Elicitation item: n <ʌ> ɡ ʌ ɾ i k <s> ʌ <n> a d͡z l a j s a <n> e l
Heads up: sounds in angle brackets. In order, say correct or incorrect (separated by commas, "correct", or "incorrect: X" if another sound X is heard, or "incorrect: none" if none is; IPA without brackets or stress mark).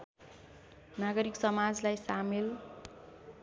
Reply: incorrect: a, correct, incorrect: m, incorrect: m